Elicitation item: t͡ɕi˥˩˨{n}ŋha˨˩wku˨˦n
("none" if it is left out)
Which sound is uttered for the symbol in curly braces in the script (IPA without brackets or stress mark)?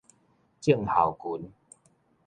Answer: none